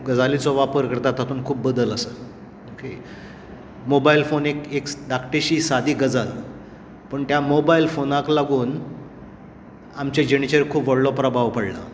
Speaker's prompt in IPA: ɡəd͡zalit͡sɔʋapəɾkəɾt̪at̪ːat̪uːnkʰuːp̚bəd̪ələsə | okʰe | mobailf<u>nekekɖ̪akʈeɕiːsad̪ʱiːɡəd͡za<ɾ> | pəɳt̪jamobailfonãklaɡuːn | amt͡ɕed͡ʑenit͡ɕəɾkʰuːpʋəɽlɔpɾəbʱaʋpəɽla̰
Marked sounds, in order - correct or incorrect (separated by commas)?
incorrect, incorrect